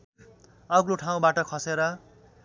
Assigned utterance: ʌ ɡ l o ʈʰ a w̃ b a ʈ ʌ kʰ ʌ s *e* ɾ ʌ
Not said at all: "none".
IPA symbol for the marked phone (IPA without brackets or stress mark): e